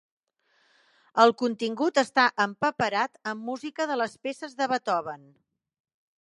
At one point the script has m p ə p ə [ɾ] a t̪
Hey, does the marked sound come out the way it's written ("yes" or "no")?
yes